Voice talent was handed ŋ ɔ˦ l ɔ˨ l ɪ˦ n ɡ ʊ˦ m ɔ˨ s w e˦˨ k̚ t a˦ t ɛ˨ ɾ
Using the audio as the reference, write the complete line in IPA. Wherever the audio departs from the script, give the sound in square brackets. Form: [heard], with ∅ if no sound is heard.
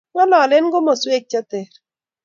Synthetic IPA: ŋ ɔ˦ l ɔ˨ l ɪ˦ n ɡ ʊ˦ m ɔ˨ s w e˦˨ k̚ [t͡ʃ] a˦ t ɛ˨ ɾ